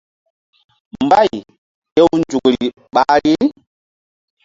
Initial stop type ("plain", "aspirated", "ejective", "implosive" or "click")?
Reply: plain